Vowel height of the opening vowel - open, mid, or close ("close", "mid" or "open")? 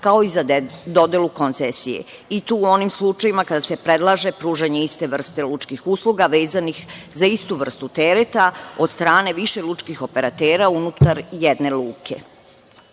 open